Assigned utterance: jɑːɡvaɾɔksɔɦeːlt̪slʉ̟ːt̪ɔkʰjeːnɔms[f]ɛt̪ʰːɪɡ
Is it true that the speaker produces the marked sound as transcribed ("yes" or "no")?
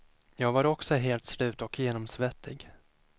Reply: no